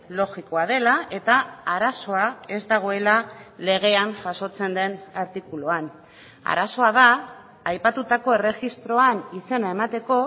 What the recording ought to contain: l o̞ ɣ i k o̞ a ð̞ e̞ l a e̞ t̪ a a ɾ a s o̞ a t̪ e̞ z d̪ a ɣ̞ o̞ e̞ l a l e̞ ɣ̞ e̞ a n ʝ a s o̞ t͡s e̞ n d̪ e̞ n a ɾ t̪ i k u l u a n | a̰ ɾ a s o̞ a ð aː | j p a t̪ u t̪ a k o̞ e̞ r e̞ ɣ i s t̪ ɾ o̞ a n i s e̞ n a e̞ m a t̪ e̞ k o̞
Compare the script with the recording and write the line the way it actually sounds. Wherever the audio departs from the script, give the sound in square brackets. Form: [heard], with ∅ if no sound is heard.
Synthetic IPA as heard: l o̞ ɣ i k o̞ a ð̞ e̞ l a e̞ t̪ a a ɾ a s o̞ a [∅] e̞ z d̪ a ɣ̞ o̞ e̞ l a l e̞ ɣ̞ e̞ a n ʝ a s o̞ t͡s e̞ n d̪ e̞ n a ɾ t̪ i k u l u a n | a̰ ɾ a s o̞ a ð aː | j p a t̪ u t̪ a k o̞ e̞ r e̞ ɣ i s t̪ ɾ o̞ a n i s e̞ n a e̞ m a t̪ e̞ k o̞